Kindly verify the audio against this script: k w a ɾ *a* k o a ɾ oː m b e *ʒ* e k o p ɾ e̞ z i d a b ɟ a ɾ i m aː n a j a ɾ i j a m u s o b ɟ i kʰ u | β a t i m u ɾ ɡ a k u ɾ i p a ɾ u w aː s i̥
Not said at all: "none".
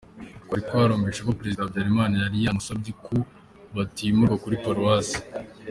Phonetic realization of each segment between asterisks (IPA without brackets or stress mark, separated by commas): i, ʃ